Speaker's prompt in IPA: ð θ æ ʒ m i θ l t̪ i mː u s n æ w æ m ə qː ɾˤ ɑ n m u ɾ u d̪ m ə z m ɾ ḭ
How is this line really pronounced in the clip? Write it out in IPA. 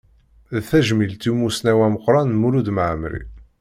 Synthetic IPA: ð θ æ ʒ m i l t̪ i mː u s n æ w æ m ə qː ɾˤ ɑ n m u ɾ u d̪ m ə ʕ m ɾ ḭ